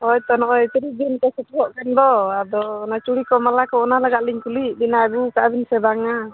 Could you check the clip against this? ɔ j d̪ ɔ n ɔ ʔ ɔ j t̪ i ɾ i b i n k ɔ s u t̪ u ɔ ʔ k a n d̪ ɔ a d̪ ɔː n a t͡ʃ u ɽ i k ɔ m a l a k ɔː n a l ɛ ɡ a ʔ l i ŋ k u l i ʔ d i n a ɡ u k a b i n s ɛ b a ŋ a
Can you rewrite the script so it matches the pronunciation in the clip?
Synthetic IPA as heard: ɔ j t̪ ɔ n ɔ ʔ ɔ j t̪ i ɾ i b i n k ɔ s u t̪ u ɔ ʔ k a n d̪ ɔ a d̪ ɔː n a t͡ʃ u ɽ i k ɔ m a l a k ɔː n a l a ɡ a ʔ l i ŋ k u l i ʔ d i n a ɡ u k a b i n s ɛ b a ŋ a